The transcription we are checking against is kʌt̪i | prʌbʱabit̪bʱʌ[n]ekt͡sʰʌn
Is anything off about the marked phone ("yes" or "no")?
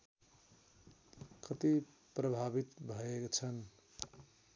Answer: yes